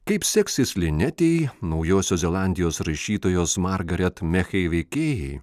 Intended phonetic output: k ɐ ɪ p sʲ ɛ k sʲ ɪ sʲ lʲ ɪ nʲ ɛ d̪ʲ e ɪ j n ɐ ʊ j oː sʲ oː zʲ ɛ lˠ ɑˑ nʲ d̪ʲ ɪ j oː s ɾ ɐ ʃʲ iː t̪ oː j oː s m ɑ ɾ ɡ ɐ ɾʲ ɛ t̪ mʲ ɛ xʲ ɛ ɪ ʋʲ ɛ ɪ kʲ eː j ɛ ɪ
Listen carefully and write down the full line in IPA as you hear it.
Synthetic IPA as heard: k ɐ ɪ p sʲ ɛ k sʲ ɪ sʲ lʲ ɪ nʲ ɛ t̪ʲ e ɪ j n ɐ ʊ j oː sʲ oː zʲ ɛ lˠ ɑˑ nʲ d̪ʲ ɪ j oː s ɾ ɐ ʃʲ iː t̪ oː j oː s m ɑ ɾ ɡ ɐ ɾʲ ɛ t̪ mʲ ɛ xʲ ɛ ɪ ʋʲ ɛ ɪ kʲ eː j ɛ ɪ